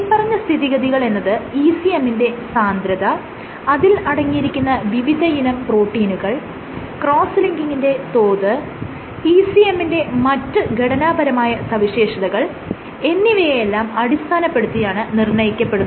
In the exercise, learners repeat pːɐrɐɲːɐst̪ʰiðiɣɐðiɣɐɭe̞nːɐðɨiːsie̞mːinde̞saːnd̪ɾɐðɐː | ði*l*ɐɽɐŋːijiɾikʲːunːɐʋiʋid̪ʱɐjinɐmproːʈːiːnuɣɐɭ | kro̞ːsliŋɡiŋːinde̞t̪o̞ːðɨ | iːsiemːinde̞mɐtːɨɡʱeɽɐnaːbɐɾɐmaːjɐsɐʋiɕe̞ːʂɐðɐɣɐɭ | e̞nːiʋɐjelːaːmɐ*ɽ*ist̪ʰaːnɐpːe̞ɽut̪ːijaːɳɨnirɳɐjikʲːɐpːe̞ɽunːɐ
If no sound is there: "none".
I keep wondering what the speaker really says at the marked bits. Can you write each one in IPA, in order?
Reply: l, ɽ

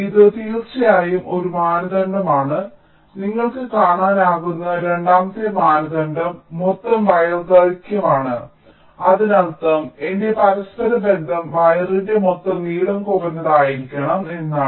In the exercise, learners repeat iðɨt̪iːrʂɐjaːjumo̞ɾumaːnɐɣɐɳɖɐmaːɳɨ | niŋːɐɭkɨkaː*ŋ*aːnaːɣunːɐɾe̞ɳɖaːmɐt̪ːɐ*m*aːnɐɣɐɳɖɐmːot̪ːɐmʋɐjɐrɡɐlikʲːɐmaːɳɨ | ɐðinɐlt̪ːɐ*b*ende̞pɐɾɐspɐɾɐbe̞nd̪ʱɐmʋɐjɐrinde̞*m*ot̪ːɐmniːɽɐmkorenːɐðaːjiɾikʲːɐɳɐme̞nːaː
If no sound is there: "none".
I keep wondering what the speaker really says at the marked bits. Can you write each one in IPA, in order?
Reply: ɳ, m, m, m

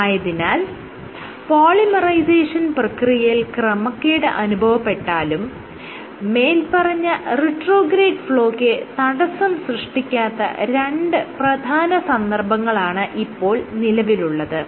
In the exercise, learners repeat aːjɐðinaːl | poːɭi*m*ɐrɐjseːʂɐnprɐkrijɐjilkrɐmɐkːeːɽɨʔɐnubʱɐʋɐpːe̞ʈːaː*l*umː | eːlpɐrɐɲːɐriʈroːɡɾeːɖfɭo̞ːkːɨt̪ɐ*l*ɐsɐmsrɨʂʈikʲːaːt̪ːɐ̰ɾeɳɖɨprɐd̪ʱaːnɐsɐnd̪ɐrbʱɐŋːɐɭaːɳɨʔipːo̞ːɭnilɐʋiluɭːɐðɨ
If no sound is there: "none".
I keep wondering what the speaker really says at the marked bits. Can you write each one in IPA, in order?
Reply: m, l, ɽ

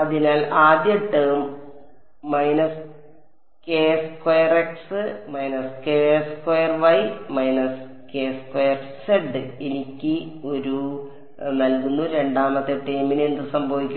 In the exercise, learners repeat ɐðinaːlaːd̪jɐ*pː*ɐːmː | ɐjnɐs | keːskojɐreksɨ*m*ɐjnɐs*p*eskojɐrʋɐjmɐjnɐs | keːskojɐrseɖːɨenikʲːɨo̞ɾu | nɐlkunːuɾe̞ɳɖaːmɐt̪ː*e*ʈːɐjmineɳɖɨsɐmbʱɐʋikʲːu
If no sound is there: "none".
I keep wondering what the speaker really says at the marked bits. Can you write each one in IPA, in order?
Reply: ʈː, m, k, e

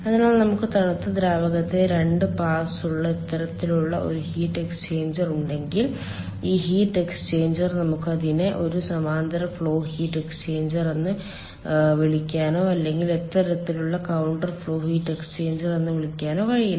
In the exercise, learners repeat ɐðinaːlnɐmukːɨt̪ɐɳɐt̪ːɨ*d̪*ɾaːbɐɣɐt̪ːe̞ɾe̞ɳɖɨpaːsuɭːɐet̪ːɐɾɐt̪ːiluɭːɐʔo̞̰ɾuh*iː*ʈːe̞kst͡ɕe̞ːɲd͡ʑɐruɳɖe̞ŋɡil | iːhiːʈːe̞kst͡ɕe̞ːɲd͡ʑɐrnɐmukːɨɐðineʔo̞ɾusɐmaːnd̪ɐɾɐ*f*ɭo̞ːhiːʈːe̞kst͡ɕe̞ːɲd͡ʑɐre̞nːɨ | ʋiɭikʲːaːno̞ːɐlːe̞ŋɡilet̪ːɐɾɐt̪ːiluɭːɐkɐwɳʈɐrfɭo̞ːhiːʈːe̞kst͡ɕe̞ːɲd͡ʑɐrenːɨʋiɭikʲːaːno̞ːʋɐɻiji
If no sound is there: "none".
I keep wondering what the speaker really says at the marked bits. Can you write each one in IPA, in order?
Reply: d̪, iː, f

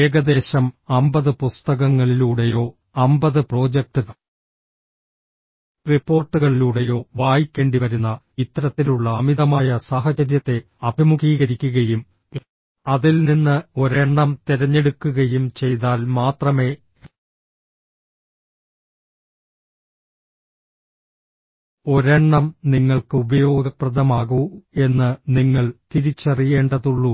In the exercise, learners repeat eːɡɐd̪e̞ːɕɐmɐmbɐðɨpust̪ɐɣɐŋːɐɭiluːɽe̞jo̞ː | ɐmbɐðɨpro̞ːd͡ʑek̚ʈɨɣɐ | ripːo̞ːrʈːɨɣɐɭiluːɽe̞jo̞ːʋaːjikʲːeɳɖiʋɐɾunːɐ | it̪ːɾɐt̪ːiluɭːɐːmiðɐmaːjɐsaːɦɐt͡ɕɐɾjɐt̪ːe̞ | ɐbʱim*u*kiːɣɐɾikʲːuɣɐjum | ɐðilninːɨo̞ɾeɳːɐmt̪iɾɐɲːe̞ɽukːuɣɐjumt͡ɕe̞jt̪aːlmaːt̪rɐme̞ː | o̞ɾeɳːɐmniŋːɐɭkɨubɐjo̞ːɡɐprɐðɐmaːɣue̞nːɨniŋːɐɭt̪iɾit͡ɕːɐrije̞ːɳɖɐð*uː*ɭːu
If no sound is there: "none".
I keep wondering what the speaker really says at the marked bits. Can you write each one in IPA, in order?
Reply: u, u

